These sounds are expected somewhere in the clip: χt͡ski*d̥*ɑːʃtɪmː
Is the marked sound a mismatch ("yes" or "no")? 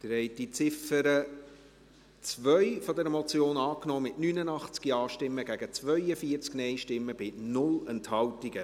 yes